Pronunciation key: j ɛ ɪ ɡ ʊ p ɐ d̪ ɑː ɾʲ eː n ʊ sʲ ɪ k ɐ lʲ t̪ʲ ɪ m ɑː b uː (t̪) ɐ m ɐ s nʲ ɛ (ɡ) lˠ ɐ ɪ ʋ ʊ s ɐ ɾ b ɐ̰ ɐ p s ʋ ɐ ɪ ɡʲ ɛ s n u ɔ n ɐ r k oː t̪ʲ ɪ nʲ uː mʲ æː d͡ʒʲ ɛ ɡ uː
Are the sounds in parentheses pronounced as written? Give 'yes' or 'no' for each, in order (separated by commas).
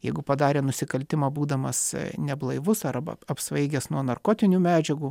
no, no